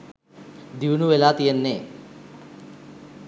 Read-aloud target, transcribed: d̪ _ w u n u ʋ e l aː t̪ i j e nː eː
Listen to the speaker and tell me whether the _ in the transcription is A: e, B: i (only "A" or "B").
B